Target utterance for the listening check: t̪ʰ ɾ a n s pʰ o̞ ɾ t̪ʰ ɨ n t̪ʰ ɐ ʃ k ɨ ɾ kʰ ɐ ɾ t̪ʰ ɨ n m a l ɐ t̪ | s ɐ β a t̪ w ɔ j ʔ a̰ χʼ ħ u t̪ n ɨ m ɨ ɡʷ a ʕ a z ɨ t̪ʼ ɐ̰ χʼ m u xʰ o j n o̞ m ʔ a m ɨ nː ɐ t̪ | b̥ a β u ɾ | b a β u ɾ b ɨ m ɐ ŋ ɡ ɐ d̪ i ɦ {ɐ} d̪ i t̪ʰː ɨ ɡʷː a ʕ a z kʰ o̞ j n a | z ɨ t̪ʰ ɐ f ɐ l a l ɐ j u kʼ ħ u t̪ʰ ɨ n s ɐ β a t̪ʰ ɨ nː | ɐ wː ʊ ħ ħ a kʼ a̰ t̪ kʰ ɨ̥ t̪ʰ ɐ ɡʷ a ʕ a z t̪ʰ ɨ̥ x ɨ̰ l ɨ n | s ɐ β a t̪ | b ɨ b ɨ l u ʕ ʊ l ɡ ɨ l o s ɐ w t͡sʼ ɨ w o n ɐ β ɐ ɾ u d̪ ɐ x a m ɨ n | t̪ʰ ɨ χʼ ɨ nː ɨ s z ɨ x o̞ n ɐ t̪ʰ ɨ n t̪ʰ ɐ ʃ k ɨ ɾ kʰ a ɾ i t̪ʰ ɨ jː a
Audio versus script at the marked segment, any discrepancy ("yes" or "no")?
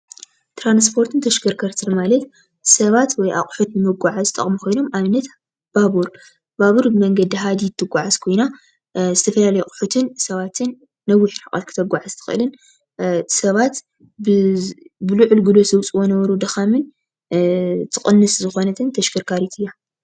yes